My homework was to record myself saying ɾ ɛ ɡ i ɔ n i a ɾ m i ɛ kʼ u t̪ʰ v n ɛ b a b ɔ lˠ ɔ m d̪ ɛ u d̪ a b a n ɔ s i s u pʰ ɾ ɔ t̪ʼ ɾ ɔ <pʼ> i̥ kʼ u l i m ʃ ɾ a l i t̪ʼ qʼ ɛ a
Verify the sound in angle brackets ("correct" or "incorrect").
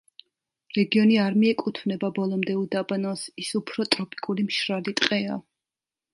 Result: correct